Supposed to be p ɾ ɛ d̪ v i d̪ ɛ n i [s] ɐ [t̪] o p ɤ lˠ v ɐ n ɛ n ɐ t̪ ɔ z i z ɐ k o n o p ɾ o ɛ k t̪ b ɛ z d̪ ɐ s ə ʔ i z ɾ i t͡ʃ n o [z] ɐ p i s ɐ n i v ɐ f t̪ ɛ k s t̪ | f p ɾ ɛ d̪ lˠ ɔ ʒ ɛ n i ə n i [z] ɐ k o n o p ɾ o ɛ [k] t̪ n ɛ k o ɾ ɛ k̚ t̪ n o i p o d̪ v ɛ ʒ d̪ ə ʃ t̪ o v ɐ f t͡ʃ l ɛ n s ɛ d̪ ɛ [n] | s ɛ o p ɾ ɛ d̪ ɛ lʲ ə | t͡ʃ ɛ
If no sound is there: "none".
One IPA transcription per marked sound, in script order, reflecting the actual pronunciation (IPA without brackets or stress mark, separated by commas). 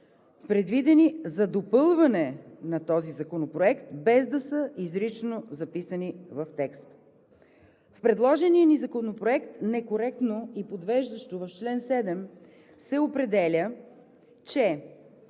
z, d̪, z, z, k, m